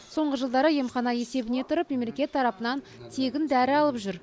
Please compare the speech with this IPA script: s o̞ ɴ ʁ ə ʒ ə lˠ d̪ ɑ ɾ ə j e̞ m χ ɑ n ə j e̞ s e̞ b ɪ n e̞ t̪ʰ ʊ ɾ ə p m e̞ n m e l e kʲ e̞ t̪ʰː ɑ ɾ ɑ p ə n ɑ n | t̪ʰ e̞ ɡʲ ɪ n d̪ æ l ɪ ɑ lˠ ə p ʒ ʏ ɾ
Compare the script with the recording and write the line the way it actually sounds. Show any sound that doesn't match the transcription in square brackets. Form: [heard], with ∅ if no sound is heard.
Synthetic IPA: s o̞ ɴ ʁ ə ʒ ə lˠ d̪ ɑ ɾ ə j e̞ m χ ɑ n [ɑ] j e̞ s e̞ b ɪ n e̞ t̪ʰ ʊ ɾ ə p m e̞ [∅] m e l e kʲ e̞ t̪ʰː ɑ ɾ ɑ p ə n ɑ n | t̪ʰ e̞ ɡʲ ɪ n d̪ æ [ɾ] ɪ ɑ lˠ ə p ʒ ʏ ɾ